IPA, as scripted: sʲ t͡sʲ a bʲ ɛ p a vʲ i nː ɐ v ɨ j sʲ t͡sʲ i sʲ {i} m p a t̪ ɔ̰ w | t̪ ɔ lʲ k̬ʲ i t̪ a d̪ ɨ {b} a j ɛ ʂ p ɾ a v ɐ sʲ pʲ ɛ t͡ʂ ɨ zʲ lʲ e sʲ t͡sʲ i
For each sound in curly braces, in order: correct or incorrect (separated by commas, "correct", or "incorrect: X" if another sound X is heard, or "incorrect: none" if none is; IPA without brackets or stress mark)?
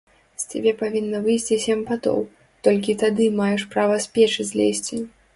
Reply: incorrect: ɛ, incorrect: m